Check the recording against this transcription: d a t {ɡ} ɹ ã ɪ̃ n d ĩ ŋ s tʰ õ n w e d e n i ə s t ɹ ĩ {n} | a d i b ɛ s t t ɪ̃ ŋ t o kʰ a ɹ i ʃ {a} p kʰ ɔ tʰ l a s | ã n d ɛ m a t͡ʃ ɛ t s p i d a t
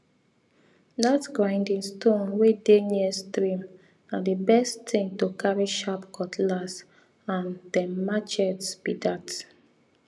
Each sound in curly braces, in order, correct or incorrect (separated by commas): correct, incorrect, correct